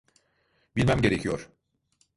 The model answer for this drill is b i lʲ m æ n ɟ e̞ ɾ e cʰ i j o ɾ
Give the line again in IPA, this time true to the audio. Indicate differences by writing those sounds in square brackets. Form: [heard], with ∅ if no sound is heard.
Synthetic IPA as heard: b i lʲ m æ [m] ɟ e̞ ɾ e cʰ i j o ɾ